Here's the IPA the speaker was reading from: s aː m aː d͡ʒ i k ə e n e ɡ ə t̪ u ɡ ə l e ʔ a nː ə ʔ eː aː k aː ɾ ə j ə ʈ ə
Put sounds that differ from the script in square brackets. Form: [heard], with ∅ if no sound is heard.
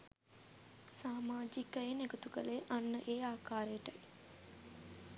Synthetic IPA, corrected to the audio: s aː m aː d͡ʒ i k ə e n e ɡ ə t̪ u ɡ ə l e ʔ a nː ə ʔ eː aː k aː ɾ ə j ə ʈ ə